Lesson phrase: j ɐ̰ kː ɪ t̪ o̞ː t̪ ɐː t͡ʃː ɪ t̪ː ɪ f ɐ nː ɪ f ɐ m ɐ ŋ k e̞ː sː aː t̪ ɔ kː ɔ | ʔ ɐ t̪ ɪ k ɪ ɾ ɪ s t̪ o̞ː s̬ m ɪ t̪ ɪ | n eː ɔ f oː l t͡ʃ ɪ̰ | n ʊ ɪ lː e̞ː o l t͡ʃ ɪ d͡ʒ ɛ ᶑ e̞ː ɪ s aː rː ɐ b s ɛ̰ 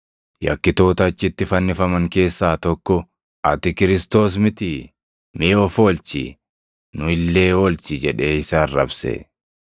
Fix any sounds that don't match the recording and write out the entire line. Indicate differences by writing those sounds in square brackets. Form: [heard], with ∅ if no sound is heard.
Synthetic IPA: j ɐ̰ kː ɪ t̪ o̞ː t̪ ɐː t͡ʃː ɪ t̪ː ɪ f ɐ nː ɪ f ɐ m ɐ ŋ k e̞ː sː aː t̪ ɔ kː ɔ | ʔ ɐ t̪ ɪ k ɪ ɾ ɪ s t̪ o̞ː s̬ m ɪ t̪ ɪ | [m] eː ɔ f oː l t͡ʃ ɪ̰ | n ʊ ɪ lː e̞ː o l t͡ʃ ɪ d͡ʒ ɛ ᶑ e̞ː ɪ s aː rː ɐ b s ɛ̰

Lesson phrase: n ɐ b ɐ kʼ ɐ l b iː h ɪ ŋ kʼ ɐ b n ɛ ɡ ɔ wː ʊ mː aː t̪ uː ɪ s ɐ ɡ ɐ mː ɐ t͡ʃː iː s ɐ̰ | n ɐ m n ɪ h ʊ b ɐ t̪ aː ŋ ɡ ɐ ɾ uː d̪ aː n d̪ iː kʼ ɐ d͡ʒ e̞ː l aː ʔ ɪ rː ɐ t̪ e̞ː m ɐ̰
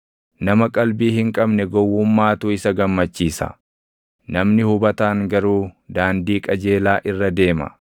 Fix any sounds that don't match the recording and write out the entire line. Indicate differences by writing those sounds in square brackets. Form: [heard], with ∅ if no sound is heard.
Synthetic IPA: n ɐ [m] ɐ kʼ ɐ l b iː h ɪ ŋ kʼ ɐ b n ɛ ɡ ɔ wː ʊ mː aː t̪ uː ɪ s ɐ ɡ ɐ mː ɐ t͡ʃː iː s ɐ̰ | n ɐ m n ɪ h ʊ b ɐ t̪ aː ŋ ɡ ɐ ɾ uː d̪ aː n d̪ iː kʼ ɐ d͡ʒ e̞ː l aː ʔ ɪ rː ɐ [d̪] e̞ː m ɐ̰

